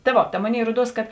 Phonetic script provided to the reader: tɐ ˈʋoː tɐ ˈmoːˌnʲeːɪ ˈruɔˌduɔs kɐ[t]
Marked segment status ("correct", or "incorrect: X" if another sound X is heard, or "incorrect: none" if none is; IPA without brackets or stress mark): correct